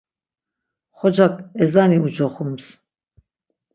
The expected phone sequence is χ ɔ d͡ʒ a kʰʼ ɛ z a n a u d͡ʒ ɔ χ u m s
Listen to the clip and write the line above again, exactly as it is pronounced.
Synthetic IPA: χ ɔ d͡ʒ a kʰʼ ɛ z a n i u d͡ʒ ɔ χ u m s